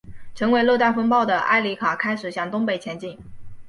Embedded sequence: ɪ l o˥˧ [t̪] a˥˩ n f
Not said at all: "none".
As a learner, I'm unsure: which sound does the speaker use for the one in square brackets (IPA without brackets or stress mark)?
t̪